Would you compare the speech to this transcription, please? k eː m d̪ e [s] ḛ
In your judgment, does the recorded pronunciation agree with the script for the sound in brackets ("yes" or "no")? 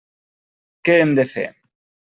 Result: no